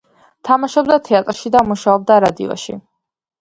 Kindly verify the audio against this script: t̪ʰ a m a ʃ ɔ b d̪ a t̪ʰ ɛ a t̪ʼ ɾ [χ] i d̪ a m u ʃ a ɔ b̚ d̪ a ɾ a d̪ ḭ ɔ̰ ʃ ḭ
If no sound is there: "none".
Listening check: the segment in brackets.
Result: ʃ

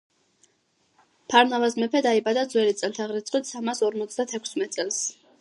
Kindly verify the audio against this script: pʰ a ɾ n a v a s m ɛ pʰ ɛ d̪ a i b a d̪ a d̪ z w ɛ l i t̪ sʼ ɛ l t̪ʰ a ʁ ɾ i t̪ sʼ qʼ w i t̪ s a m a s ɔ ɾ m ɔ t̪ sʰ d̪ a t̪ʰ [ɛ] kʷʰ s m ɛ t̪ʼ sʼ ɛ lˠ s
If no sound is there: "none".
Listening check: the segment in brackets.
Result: ɛ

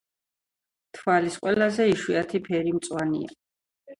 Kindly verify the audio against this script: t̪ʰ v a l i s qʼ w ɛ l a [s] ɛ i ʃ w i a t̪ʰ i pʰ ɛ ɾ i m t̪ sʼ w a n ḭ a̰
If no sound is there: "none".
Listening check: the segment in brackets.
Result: z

